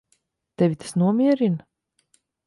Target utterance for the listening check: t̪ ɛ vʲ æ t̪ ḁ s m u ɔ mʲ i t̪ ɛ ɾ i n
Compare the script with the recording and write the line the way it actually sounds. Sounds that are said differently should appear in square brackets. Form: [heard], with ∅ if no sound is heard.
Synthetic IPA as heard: t̪ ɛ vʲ [i] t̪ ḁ s [n] u ɔ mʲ i [∅] ɛ ɾ i n